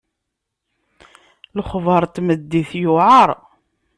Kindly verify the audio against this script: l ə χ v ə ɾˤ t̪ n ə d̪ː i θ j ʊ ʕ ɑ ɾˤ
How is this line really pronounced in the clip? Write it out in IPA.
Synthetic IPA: l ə χ v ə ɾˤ t̪ m ə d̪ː i θ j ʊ ʕ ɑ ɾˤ